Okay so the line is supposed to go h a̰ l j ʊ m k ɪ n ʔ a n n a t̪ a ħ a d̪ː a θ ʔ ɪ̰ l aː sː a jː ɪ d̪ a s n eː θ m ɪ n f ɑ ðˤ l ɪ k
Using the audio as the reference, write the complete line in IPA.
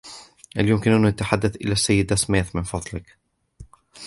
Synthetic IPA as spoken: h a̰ l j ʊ m k ɪ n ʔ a n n a t̪ a ħ a d̪ː a θ ʔ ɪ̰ l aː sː a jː ɪ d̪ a s m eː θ m ɪ n f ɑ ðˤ l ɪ k

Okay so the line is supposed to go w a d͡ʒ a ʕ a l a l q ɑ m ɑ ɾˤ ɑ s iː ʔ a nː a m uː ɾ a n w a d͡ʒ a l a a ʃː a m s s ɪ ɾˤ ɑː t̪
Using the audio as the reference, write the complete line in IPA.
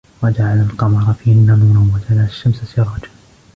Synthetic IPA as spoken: w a d͡ʒ a ʕ a l a l q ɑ m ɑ ɾˤ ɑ f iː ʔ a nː a m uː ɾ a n w a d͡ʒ a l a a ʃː a m s s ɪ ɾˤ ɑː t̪

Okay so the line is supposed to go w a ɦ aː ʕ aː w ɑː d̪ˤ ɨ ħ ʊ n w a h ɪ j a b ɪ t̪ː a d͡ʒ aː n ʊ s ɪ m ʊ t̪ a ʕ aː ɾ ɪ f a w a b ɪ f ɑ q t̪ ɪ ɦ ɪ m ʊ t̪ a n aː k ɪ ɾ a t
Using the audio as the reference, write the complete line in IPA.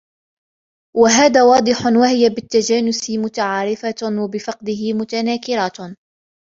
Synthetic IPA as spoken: w a ɦ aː ð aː w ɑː d̪ˤ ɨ ħ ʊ n w a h ɪ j a b ɪ t̪ː a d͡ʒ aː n ʊ s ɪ m ʊ t̪ a ʕ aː ɾ ɪ f a w a b ɪ f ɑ q d̪ ɪ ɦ ɪ m ʊ t̪ a n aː k ɪ ɾ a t

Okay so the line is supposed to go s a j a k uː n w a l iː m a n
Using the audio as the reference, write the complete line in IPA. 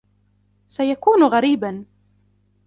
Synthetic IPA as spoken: s a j a k uː n ɣ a ɾ iː b a n

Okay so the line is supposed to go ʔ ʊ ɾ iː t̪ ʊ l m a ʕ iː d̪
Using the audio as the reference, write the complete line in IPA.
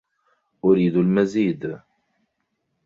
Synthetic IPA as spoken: ʔ ʊ ɾ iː d̪ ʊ l m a z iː d̪

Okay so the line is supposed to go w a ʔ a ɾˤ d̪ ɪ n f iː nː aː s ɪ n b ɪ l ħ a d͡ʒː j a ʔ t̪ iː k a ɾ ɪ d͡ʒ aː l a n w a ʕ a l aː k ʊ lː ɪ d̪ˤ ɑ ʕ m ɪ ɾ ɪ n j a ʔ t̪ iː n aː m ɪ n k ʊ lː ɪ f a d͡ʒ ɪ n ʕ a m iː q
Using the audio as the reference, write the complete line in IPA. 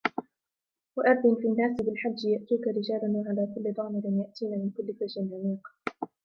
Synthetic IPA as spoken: w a ʔ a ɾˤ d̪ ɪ n f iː nː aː s ɪ b ɪ l ħ a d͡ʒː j a ʔ t̪ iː k a ɾ ɪ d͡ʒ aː l a n w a ʕ a l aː k ʊ lː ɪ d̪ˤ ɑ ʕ m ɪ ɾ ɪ n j a ʔ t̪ iː n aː m ɪ n k ʊ lː ɪ f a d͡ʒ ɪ n ʕ a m iː q

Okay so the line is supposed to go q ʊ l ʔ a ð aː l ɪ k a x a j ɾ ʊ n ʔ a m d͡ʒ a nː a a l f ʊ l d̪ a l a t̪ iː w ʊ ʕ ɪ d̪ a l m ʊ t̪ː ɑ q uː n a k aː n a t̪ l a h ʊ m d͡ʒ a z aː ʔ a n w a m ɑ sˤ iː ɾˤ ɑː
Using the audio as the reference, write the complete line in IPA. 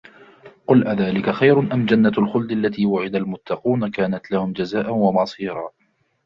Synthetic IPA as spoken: q ʊ l ʔ a ð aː l ɪ k a x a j ɾ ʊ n ʔ a m d͡ʒ a nː a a l x ʊ l d̪ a lː a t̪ iː w ʊ ʕ ɪ d̪ a l m ʊ t̪ː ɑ q uː n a k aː n a t̪ l a h ʊ m d͡ʒ a z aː ʔ a n w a m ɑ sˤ iː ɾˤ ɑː

